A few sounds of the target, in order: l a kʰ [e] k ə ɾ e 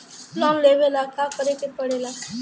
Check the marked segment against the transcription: incorrect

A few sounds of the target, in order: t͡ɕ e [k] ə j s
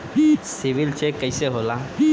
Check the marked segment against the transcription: correct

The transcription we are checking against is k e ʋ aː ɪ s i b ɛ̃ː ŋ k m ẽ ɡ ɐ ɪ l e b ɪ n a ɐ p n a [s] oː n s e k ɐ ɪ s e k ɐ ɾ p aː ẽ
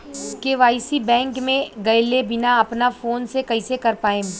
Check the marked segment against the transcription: incorrect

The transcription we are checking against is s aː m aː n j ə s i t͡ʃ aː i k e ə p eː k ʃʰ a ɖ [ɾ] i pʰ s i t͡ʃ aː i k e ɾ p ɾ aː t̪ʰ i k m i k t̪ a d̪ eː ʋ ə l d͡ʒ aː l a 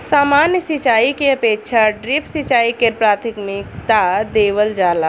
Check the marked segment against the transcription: correct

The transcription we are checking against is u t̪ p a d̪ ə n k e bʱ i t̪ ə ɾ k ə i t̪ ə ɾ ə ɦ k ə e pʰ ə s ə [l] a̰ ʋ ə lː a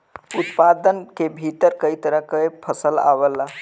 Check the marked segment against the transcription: correct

